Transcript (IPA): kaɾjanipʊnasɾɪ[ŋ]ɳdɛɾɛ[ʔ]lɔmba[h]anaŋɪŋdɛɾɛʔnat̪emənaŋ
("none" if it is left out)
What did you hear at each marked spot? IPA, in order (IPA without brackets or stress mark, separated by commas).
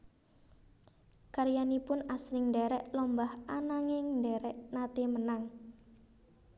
ŋ, ʔ, h